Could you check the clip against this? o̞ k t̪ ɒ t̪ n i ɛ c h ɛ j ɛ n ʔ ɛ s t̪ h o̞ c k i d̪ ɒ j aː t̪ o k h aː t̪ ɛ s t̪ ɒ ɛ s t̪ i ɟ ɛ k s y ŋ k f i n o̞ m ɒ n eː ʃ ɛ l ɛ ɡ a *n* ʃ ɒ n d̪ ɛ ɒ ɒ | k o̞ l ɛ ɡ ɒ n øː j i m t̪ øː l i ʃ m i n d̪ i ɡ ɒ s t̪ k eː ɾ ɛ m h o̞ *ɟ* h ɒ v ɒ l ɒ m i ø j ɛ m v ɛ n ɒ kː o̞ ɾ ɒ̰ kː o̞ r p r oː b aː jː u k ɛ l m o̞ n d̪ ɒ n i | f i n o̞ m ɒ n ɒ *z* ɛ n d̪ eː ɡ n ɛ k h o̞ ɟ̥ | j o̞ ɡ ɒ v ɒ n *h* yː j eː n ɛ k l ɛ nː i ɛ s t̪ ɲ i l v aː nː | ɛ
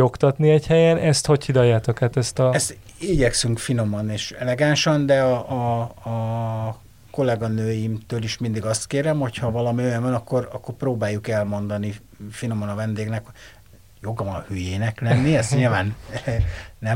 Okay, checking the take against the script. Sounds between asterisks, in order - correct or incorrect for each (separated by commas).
correct, incorrect, incorrect, correct